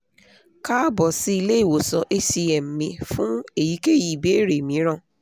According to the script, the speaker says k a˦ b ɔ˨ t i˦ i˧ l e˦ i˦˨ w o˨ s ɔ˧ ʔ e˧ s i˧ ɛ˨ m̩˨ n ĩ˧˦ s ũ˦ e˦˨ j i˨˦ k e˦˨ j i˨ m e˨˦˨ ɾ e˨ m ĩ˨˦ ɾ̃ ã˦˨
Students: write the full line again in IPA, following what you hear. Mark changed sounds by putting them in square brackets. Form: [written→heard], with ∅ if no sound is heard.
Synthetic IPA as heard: k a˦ b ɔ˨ [t→s] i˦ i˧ l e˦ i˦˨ w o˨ s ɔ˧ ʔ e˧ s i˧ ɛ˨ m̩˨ [n→m] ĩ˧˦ [s→f] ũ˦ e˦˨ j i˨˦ k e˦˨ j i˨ [m→b] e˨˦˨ ɾ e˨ m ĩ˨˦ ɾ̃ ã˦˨